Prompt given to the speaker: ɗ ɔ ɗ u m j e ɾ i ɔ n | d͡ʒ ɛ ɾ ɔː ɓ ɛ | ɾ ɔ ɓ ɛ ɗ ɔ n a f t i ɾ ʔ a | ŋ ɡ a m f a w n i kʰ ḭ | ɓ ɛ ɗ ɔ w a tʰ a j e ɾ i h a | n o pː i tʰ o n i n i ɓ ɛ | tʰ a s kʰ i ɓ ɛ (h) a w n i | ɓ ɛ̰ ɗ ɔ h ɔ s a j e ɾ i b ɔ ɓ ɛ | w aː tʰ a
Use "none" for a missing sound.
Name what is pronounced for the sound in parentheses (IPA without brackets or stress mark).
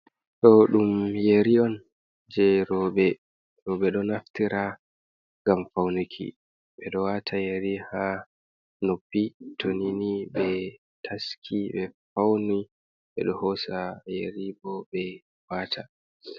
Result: f